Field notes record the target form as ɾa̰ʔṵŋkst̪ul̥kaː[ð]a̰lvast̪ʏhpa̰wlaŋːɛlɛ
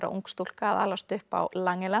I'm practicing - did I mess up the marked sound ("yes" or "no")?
no